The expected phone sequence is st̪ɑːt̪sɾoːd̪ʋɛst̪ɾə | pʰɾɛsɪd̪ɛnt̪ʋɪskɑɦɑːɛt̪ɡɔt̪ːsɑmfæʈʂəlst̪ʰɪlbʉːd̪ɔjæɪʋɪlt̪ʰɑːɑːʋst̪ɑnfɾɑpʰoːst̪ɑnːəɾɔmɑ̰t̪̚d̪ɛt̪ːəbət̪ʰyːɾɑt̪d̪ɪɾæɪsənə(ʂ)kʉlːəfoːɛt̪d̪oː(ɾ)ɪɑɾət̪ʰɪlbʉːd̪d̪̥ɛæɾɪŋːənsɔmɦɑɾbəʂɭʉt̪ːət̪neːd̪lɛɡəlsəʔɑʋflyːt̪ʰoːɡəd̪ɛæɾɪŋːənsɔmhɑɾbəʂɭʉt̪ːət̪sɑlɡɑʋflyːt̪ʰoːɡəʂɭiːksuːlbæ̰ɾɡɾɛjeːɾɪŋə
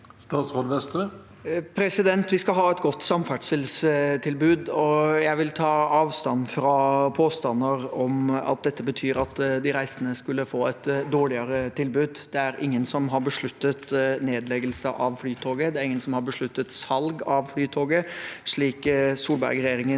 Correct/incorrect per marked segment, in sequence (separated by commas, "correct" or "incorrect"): incorrect, incorrect